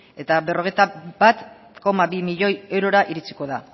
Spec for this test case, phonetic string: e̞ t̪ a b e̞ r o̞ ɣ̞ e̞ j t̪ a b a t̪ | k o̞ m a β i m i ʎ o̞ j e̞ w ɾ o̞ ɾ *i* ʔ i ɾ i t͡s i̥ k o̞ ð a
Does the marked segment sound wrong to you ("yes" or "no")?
yes